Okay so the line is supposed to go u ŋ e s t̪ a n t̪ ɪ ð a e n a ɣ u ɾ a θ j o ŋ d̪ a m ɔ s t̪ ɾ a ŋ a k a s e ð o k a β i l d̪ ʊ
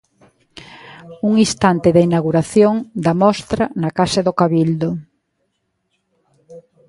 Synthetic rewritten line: u ŋ i s t̪ a n t̪ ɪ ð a i n a ɣ u ɾ a θ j o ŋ d̪ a m ɔ s t̪ ɾ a n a k a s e ð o k a β i l d̪ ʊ